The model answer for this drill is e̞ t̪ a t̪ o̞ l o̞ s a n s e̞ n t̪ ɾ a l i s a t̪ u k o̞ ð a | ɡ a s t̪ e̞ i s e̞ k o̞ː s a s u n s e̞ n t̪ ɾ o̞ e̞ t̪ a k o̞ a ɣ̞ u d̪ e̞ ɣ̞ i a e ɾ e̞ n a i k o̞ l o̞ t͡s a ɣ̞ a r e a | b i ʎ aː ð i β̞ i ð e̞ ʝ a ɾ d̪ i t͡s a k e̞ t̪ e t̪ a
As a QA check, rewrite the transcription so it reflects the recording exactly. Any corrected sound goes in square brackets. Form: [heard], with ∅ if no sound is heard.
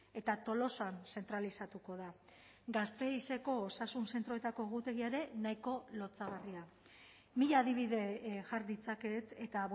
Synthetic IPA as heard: e̞ t̪ a t̪ o̞ l o̞ s a n s e̞ n t̪ ɾ a l i s a t̪ u k o̞ ð a | ɡ a s t̪ e̞ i s e̞ k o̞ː s a s u n s e̞ n t̪ ɾ o̞ e̞ t̪ a k o̞ [e] ɣ̞ u [t̪] e̞ ɣ̞ i a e ɾ e̞ n a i k o̞ l o̞ t͡s a ɣ̞ a r [i] a | [m] i ʎ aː ð i β̞ i ð e̞ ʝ a ɾ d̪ i t͡s a k e̞ t̪ e t̪ a